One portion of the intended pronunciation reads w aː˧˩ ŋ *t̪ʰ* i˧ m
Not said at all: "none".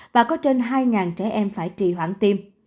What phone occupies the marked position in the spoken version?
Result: t̪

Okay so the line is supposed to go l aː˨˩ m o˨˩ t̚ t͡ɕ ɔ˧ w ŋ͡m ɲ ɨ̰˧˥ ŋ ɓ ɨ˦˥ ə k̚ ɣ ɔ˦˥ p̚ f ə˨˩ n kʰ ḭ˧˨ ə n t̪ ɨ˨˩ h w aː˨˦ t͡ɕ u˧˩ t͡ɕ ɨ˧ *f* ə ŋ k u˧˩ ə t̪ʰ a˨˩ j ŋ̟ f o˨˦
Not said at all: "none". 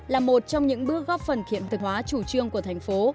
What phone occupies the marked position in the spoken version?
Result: none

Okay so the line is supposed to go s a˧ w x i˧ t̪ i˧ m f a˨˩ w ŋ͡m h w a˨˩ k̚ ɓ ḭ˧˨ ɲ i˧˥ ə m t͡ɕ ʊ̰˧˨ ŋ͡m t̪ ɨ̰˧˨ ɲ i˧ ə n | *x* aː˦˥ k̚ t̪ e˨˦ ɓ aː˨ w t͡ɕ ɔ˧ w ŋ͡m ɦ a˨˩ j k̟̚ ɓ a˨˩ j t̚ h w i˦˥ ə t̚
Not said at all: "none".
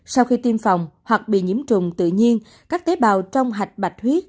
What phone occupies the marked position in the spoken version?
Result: k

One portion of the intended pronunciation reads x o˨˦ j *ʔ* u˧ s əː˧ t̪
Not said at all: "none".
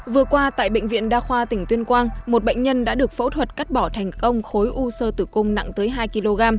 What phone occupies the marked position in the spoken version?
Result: ʔ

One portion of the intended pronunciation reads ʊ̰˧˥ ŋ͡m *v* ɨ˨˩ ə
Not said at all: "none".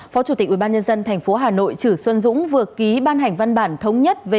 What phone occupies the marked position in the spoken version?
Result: v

